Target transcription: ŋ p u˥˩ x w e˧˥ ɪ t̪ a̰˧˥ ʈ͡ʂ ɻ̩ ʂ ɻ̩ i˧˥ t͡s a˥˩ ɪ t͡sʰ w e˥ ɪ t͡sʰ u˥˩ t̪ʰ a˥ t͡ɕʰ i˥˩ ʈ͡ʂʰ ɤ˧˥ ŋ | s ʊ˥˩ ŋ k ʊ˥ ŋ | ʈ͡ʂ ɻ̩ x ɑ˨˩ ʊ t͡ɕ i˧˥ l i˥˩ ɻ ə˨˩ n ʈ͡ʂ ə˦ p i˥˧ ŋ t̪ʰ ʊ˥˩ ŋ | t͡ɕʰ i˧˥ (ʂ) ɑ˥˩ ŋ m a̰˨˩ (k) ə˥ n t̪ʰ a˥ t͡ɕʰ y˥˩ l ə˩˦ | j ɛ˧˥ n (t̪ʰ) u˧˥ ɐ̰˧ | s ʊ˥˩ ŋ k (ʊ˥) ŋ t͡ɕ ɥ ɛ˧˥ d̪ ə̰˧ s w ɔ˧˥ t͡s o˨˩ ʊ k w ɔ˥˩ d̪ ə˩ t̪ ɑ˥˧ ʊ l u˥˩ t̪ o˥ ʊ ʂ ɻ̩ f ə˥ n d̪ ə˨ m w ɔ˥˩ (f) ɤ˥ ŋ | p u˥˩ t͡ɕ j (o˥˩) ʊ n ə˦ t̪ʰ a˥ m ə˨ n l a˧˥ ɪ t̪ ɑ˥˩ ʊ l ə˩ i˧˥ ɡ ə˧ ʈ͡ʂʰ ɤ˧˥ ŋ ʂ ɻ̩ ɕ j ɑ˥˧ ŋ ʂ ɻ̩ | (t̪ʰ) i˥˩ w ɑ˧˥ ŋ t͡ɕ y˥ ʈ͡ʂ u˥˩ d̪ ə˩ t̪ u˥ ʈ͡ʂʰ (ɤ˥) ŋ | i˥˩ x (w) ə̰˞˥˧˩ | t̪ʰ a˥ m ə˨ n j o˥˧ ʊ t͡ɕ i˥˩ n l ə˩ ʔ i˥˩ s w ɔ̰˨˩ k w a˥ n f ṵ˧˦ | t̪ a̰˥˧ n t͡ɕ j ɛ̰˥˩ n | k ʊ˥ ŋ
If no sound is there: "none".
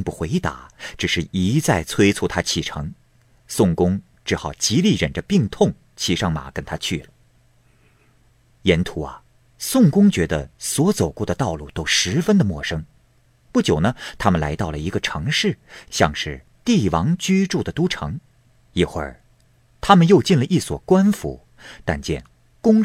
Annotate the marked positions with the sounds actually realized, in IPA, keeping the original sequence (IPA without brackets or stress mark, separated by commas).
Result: ʂ, k, t̪ʰ, ʊ˥, ʂ, o˨˩, t̪, ɤ˧˥, w